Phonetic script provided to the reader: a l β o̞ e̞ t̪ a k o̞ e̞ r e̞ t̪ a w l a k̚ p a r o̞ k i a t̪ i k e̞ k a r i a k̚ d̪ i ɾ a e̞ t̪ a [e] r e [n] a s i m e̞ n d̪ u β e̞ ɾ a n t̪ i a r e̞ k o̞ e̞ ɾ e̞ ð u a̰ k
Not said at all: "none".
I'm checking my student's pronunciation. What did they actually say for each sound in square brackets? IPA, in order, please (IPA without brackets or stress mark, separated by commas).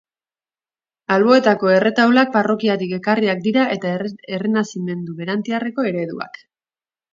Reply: e, n